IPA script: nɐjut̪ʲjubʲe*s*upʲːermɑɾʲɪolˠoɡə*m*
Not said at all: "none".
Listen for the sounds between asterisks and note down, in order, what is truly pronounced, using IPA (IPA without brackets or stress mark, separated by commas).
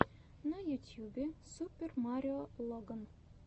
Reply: s, n